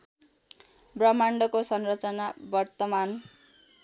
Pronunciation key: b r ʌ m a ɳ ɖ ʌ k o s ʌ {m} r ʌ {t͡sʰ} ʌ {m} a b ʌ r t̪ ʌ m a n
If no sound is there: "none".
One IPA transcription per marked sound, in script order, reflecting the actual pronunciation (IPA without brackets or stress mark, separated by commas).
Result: n, t͡s, n